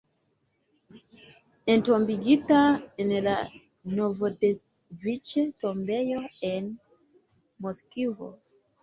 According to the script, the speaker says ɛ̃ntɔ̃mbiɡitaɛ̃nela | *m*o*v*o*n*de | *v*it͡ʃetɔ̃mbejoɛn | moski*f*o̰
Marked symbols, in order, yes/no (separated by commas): no, yes, no, yes, no